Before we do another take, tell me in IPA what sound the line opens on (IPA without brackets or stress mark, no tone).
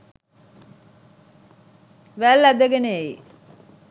ʋ